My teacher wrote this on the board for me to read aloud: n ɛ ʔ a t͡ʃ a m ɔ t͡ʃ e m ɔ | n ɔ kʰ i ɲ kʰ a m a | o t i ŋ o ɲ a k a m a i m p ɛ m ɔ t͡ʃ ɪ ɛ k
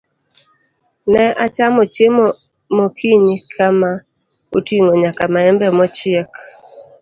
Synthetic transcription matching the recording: n ɛ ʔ a t͡ʃ a m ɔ t͡ʃ e m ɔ | m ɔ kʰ i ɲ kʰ a m a | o t i ŋ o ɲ a k a m a ɛ m b ɛ m ɔ t͡ʃ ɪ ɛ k